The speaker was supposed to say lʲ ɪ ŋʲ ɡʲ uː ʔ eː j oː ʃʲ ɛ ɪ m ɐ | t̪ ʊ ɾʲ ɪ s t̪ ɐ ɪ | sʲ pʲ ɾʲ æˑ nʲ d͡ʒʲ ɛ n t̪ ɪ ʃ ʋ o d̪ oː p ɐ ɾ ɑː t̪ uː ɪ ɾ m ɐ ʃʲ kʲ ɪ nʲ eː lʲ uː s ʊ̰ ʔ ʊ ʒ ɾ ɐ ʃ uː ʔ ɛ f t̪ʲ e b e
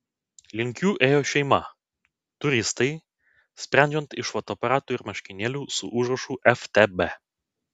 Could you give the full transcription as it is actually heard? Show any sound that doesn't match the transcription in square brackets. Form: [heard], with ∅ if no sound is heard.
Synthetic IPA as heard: lʲ ɪ ŋʲ [kʲ] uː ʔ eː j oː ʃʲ ɛ ɪ m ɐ | t̪ ʊ ɾʲ ɪ s t̪ ɐ ɪ | sʲ pʲ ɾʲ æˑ nʲ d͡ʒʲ ɛ n t̪ ɪ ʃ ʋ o [t̪] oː p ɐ ɾ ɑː t̪ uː ɪ ɾ m ɐ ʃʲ kʲ ɪ nʲ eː lʲ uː s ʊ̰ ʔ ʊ ʒ ɾ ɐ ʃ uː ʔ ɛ f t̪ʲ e b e